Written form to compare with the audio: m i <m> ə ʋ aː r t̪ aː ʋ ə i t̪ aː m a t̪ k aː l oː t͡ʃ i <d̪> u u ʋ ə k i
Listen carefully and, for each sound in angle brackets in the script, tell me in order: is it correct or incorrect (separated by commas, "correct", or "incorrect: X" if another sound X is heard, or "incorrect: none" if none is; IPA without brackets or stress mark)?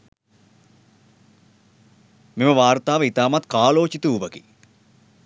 correct, incorrect: t̪